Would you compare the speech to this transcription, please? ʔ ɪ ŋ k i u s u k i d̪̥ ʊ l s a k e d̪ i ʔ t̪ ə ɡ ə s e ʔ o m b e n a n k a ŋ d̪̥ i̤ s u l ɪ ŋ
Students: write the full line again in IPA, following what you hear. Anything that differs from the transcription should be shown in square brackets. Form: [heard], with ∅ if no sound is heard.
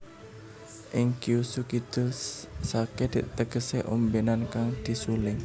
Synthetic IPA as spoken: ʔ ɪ ŋ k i u s u k i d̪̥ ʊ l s a k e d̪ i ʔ t̪ ə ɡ ə s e ʔ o m b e n a n k a ŋ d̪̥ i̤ s u l ɪ ŋ